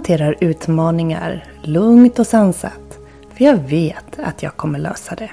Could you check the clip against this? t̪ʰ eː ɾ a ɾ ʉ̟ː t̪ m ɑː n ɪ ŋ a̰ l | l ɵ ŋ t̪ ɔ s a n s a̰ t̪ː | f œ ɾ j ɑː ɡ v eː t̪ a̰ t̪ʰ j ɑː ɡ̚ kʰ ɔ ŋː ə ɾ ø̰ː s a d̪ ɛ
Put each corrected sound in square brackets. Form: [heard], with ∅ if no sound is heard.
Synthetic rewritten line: t̪ʰ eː ɾ a ɾ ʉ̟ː t̪ m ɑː n ɪ ŋ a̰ [ɾ] | l ɵ ŋ t̪ ɔ s a n s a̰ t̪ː | f œ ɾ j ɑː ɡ v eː t̪ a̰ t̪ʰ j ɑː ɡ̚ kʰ ɔ [mː] ə [ɭ] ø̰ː s a d̪ ɛ